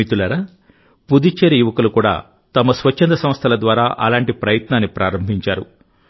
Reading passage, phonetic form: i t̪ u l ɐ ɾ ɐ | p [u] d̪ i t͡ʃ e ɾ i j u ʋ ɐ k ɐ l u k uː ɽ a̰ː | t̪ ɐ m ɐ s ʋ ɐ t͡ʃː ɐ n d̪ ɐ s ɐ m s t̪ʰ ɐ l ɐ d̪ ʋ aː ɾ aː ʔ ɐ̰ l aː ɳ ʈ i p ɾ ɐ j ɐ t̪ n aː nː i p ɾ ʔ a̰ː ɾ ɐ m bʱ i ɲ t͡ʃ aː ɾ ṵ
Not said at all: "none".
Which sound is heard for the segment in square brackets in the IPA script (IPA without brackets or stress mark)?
u